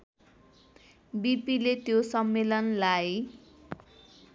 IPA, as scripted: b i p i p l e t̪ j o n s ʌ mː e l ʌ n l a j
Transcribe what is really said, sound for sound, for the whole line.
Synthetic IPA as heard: b i p i l e t̪ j o s ʌ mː e l ʌ n l a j